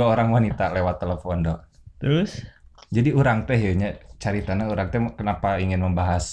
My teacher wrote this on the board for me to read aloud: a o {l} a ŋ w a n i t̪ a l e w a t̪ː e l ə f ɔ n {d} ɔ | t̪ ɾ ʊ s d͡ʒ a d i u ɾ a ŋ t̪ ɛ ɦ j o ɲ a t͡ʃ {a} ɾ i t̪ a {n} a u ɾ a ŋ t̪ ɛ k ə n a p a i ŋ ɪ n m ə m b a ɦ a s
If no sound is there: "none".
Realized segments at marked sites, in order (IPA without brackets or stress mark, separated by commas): ɾ, d, a, n